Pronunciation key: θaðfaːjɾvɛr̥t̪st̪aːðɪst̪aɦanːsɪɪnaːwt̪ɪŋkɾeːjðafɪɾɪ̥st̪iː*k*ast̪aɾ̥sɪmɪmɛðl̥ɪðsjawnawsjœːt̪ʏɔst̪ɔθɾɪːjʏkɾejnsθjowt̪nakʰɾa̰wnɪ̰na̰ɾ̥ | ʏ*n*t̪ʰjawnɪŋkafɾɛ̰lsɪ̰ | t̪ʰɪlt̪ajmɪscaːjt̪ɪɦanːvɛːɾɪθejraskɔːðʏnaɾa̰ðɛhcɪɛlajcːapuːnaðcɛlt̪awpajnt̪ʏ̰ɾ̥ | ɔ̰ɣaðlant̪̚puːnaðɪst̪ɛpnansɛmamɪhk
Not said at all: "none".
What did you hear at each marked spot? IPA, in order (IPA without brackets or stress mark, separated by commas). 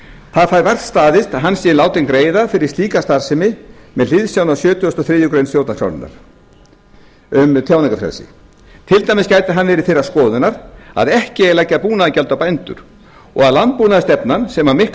k, m